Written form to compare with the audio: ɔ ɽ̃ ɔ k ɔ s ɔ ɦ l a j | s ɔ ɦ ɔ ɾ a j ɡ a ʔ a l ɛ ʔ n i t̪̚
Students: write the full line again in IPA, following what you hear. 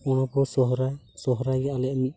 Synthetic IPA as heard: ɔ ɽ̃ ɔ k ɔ s ɔ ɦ ɾ a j | s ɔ ɦ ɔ ɾ a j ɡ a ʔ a l ɛ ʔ m i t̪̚